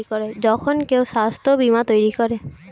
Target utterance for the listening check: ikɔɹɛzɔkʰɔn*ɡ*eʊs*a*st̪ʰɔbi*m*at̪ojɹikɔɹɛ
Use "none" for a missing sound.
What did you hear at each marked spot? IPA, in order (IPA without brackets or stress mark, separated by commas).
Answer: k, a, m